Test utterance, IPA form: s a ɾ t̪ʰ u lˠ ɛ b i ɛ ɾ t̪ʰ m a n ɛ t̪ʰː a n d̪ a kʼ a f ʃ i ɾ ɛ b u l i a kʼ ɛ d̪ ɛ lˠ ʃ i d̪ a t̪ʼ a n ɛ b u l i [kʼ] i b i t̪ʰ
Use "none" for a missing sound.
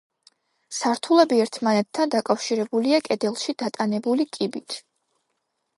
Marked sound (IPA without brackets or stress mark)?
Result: kʼ